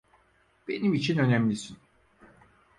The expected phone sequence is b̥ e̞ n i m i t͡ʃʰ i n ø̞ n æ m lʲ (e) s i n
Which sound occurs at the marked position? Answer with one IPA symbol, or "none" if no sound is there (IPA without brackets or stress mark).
i